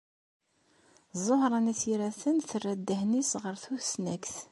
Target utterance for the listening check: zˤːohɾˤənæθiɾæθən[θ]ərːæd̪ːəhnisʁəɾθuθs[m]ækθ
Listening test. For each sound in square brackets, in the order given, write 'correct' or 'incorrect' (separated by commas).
correct, incorrect